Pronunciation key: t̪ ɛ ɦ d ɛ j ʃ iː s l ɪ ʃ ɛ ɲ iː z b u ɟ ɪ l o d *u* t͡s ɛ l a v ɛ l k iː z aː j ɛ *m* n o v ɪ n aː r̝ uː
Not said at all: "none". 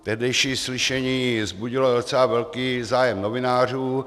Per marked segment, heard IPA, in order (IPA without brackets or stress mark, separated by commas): o, m